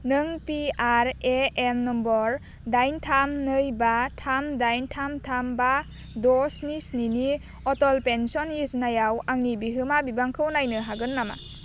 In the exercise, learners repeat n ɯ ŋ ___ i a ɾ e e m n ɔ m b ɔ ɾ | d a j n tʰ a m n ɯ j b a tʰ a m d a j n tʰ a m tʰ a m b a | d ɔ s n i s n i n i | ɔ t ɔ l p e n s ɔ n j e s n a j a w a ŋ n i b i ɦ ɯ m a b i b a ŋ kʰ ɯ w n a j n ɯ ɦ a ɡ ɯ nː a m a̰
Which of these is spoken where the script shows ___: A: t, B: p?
B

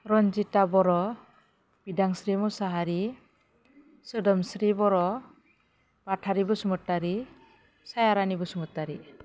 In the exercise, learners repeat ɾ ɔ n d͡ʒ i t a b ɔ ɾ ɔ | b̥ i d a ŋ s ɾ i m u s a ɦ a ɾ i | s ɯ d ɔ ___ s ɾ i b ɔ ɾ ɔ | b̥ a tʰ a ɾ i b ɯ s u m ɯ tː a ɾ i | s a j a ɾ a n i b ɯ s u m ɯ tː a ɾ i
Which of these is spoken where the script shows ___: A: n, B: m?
B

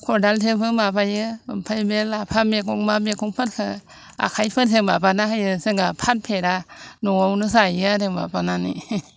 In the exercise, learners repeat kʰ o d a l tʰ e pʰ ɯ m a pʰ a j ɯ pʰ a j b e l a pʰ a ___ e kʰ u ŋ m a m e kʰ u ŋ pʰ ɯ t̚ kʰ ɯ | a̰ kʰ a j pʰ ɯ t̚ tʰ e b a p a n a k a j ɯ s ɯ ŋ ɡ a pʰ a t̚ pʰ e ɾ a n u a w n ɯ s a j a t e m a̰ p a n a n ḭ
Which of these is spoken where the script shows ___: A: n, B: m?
B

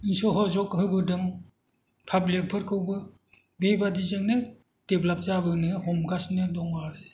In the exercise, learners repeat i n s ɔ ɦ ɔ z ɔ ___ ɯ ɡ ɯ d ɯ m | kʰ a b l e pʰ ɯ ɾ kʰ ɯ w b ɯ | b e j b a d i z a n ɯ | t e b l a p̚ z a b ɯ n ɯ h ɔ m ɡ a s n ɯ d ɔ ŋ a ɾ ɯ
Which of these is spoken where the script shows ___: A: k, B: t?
A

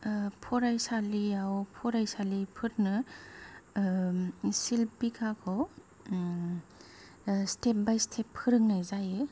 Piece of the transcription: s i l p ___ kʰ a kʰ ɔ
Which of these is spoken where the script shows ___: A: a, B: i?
B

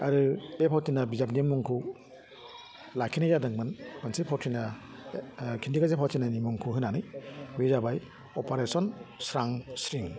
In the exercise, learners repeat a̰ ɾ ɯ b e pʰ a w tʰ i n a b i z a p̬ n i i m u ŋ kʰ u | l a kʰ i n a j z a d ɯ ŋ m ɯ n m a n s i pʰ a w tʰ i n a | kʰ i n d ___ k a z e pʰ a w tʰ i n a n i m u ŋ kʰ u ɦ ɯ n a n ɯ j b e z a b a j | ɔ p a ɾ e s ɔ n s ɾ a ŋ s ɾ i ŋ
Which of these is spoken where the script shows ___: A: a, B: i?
B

